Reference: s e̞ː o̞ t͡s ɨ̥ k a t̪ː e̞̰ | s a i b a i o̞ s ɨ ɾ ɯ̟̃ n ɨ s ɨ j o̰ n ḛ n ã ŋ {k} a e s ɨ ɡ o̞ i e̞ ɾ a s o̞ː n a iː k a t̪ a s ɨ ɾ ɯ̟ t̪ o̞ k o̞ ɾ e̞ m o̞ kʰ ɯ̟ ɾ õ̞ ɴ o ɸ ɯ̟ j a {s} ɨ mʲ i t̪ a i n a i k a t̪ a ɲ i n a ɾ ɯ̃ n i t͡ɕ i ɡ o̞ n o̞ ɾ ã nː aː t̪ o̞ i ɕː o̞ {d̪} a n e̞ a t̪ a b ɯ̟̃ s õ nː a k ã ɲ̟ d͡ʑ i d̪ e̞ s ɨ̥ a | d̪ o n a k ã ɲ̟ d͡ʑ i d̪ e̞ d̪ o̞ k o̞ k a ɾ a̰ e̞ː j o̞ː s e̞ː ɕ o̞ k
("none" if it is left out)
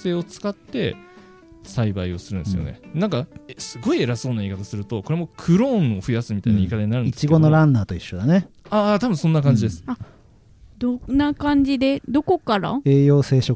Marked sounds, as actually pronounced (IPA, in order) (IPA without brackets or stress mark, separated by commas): k, s, d̪